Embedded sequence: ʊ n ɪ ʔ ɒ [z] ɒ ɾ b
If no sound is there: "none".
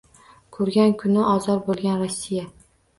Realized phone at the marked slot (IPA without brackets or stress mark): z